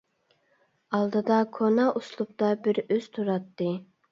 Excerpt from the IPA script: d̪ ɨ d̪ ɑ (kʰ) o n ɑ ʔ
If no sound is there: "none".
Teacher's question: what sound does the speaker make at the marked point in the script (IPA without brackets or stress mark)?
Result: kʰ